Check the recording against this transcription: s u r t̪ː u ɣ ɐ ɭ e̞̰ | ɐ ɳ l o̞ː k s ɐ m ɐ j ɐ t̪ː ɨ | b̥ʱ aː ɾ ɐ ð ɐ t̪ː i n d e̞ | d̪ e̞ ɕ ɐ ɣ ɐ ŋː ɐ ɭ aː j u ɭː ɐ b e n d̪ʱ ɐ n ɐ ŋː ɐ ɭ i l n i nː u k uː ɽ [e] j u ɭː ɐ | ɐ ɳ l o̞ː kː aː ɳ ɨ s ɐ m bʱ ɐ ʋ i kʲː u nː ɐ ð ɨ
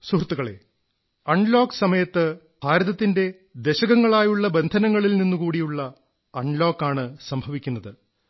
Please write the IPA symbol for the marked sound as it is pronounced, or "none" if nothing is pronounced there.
i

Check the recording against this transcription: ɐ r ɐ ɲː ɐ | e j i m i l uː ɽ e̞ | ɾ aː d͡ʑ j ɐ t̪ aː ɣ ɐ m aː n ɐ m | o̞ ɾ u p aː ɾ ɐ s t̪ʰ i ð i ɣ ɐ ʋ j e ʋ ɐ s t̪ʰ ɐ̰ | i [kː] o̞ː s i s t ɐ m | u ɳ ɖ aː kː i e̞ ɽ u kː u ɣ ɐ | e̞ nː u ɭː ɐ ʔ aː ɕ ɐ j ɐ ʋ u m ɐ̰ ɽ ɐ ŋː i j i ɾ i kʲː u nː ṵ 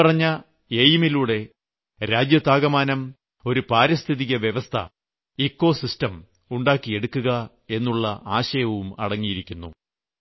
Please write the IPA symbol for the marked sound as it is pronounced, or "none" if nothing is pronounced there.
kː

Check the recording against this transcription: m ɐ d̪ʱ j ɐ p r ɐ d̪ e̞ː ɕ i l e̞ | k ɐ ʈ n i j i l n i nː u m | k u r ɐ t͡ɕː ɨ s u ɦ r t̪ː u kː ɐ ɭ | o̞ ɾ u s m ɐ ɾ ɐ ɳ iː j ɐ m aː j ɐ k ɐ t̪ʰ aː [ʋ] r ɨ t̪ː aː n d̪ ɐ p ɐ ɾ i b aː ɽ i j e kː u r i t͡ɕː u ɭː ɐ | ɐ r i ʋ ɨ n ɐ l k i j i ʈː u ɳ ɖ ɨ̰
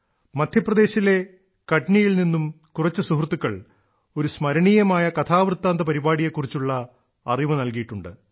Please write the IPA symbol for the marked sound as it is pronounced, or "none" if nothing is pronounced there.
ʋ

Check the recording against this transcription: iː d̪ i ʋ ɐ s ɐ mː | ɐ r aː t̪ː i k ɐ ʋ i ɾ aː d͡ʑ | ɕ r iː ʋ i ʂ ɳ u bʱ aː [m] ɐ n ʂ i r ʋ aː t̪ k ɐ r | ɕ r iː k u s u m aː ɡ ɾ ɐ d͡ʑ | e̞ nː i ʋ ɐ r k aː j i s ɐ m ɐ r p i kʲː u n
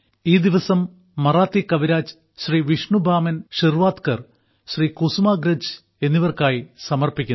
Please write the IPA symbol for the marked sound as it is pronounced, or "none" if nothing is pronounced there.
m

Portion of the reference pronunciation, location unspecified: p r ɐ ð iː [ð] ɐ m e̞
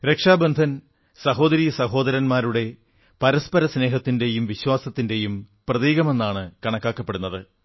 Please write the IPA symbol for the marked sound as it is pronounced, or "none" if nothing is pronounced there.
ɣ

